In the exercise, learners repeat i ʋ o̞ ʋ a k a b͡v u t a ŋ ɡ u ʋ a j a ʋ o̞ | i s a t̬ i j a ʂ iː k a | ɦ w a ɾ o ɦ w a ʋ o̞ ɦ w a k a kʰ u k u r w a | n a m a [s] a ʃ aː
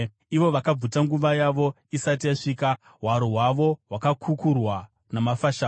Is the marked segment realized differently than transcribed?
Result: yes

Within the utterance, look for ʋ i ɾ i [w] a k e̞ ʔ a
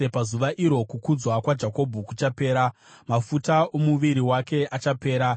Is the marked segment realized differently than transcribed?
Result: no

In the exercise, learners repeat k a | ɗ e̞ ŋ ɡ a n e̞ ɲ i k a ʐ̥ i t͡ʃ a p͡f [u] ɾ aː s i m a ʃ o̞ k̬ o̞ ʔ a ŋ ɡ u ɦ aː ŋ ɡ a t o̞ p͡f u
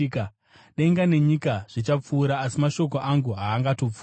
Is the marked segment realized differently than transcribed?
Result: yes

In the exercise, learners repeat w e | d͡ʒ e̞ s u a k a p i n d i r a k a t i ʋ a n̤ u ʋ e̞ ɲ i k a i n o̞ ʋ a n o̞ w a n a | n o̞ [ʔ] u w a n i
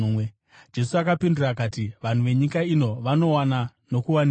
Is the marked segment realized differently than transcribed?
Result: yes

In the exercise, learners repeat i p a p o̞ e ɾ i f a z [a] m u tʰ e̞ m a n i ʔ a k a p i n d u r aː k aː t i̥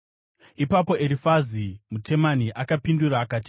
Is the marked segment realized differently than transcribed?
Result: yes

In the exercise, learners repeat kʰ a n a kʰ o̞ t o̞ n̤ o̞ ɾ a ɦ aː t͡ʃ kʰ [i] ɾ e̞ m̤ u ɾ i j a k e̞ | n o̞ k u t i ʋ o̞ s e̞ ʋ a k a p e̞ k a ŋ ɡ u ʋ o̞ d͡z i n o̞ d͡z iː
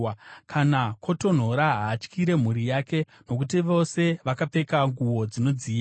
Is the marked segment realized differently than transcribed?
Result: no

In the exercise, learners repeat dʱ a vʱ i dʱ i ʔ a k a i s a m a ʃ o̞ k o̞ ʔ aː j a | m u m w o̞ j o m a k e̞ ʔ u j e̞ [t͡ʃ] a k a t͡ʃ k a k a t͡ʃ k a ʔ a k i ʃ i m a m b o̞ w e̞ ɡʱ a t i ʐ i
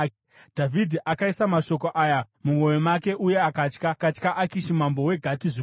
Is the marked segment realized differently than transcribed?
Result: yes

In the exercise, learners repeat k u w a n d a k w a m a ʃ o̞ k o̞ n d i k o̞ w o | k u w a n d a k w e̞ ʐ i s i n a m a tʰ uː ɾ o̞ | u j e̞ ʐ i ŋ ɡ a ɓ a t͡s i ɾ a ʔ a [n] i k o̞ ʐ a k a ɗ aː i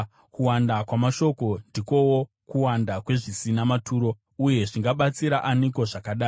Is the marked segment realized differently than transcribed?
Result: no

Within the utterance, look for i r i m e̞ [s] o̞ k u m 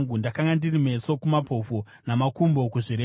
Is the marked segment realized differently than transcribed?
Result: no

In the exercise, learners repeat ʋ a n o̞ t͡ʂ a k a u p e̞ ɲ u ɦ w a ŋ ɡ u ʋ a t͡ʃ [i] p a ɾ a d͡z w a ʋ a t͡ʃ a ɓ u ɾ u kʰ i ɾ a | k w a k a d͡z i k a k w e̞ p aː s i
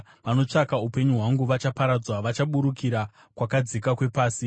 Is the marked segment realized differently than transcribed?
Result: yes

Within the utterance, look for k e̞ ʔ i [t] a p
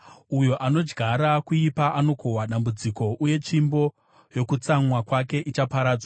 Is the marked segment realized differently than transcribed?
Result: yes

